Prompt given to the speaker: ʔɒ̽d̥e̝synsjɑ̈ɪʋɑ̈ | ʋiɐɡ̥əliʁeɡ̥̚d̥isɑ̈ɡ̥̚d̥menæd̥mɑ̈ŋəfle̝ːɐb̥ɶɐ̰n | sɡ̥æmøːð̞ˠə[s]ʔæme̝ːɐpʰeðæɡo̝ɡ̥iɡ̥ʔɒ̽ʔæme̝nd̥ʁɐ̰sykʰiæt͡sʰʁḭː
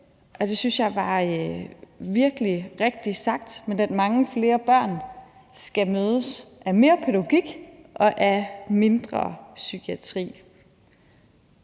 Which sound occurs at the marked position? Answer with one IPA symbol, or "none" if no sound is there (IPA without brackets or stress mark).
s